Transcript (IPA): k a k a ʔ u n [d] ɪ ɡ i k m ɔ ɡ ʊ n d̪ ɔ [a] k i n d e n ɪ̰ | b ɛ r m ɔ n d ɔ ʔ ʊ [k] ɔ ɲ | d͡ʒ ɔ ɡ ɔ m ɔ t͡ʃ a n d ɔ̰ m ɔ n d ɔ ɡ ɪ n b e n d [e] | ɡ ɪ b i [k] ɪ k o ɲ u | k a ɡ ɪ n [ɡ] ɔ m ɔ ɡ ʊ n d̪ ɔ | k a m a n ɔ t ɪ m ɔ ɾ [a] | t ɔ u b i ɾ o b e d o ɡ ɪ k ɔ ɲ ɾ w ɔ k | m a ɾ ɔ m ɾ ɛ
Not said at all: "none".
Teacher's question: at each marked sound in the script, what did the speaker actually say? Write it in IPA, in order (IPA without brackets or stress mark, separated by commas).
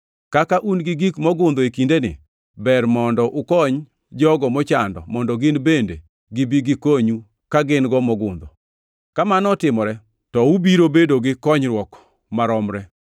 ɡ, e, k, e, ɡ, ɡ, ɛ